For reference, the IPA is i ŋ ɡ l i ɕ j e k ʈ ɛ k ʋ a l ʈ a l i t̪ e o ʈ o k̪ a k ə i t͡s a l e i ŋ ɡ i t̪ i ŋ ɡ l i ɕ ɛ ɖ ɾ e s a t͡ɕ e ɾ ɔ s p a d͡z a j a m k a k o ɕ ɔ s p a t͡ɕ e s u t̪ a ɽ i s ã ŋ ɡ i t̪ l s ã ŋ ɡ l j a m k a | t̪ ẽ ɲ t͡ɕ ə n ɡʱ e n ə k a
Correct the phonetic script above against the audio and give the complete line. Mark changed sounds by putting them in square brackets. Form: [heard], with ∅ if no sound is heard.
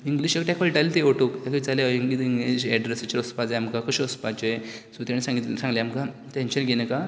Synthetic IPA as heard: i ŋ ɡ l i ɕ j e k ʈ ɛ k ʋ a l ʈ a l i t̪ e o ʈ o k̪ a k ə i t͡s a l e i ŋ ɡ i t̪ i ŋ ɡ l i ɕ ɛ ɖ ɾ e s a t͡ɕ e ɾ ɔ s p a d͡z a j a m k a k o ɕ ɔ s p a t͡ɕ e s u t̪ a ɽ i s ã ŋ ɡ i t̪ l s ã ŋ ɡ l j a m k a | t̪ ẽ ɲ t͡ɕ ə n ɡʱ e n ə k a